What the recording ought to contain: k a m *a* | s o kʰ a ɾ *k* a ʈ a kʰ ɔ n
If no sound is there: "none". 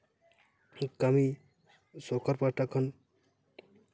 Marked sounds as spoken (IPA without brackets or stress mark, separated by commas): i, p